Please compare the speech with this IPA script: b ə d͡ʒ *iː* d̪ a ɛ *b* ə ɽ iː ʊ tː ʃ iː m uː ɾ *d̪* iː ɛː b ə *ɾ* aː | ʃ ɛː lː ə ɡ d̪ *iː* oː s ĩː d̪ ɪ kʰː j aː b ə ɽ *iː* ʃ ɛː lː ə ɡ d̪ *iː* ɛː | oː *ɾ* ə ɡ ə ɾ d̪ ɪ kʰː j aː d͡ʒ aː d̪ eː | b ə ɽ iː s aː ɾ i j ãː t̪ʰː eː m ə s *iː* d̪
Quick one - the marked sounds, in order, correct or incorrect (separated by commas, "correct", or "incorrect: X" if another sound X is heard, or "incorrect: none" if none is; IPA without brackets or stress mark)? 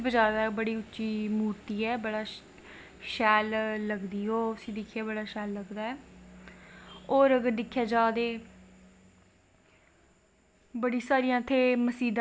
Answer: incorrect: aː, correct, incorrect: t̪, incorrect: ɽ, correct, incorrect: aː, incorrect: aː, correct, correct